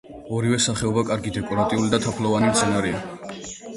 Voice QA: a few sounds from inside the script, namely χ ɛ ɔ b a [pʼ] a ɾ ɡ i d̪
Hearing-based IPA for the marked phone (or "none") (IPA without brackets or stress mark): kʼ